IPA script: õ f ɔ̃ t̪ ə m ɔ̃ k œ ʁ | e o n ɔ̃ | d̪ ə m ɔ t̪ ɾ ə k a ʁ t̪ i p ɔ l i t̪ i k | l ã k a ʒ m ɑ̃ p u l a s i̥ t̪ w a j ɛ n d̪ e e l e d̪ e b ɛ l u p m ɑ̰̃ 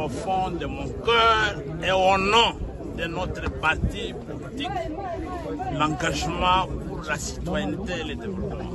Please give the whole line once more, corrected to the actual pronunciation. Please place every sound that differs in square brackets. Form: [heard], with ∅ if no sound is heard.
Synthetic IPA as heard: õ f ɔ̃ [d̪] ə m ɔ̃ k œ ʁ | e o n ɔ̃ | d̪ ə [n] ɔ t̪ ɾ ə [p] a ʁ t̪ i p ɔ l i t̪ i k | l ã [ɡ] a ʒ m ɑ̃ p u l a s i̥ t̪ w a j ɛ n [t̪] e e l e d̪ e [v] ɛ l [ɔ] p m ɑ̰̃